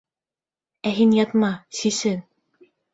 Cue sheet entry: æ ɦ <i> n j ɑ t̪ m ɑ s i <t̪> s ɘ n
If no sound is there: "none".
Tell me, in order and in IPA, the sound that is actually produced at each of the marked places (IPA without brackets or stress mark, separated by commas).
i, none